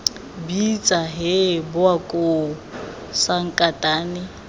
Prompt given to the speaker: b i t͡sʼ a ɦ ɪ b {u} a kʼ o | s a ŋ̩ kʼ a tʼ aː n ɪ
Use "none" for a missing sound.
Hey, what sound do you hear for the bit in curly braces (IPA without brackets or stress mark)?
ʊ